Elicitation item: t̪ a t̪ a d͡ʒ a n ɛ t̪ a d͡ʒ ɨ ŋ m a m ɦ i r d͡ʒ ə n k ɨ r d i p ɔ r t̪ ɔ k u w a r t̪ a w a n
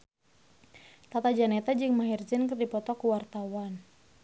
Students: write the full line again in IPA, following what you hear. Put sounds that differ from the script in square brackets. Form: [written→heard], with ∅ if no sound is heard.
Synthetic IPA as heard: t̪ a t̪ a d͡ʒ a n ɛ t̪ a d͡ʒ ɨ ŋ m a [m→∅] ɦ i r d͡ʒ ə n k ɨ r d i p ɔ [r→∅] t̪ ɔ k u w a r t̪ a w a n